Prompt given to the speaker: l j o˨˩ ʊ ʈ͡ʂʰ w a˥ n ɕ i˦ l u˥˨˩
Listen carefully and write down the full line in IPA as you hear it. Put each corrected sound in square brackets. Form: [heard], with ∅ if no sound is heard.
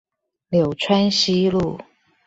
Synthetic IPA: l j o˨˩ ʊ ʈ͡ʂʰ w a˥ n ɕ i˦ l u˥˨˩